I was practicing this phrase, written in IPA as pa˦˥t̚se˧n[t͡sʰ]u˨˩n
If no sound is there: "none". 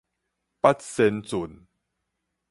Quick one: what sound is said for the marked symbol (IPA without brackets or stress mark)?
t͡s